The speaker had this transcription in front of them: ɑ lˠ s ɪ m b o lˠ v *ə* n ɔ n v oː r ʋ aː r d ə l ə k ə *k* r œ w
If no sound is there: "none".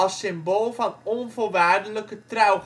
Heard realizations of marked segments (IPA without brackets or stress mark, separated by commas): ɑ, t